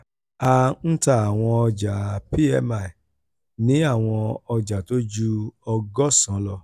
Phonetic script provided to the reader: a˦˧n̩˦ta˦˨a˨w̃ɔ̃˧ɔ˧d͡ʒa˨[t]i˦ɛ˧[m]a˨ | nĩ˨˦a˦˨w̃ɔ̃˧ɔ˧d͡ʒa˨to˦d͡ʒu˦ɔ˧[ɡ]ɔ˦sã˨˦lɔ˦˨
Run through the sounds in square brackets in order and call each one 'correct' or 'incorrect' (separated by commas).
incorrect, correct, correct